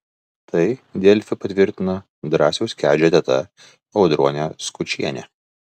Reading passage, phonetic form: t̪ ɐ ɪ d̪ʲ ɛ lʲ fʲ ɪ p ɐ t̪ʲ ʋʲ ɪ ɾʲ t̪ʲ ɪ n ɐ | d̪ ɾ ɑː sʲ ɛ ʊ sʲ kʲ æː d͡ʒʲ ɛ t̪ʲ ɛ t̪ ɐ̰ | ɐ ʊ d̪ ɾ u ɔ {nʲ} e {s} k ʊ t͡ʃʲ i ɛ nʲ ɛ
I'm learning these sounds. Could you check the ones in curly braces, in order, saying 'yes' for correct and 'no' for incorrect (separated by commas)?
yes, yes